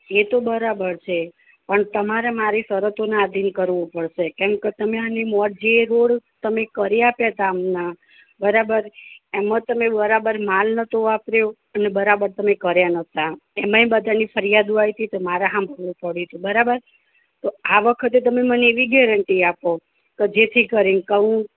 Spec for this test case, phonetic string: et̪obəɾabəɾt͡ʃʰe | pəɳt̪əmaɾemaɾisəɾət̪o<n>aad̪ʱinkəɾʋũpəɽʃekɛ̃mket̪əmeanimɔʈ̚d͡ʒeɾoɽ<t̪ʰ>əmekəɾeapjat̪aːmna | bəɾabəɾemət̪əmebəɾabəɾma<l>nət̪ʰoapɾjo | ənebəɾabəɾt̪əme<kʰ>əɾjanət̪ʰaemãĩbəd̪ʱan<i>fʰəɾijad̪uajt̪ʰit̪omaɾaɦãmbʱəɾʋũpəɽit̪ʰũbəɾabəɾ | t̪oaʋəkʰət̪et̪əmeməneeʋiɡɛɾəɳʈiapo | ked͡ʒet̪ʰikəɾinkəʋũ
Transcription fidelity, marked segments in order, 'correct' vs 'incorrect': correct, incorrect, correct, incorrect, correct

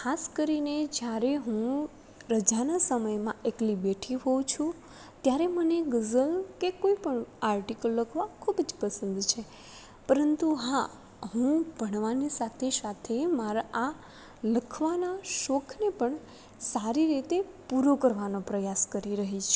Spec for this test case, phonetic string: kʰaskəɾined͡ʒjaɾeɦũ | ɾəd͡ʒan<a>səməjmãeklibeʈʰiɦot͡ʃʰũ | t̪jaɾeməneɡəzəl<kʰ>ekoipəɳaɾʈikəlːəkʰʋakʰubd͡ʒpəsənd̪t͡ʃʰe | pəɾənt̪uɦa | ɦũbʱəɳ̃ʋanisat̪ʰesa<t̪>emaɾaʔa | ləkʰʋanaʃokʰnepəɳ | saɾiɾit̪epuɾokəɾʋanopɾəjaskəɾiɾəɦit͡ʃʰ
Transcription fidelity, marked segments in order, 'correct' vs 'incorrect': correct, incorrect, incorrect

